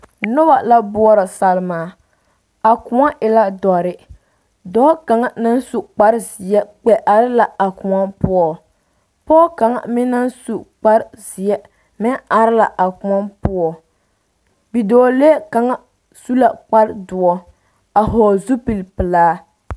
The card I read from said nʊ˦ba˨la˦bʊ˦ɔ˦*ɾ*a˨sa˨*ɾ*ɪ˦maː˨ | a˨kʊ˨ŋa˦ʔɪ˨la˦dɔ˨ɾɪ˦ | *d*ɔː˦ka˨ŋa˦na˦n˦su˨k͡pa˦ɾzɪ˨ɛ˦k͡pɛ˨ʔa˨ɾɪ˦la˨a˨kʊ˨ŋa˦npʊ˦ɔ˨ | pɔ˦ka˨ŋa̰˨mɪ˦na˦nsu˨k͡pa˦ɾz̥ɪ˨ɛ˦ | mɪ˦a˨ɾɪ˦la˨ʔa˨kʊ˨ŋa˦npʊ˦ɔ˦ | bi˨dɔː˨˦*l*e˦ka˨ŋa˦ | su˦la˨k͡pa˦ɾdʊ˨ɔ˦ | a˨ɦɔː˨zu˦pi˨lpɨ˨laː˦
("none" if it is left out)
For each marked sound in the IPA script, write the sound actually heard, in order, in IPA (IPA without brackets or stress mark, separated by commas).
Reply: ɾ, l, d, l